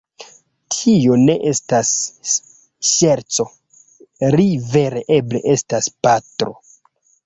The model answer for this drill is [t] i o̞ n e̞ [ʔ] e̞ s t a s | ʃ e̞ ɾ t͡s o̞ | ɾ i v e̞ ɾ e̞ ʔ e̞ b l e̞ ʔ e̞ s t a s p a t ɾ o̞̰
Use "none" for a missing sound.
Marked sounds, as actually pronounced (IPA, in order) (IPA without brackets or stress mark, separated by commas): tʰ, ʔ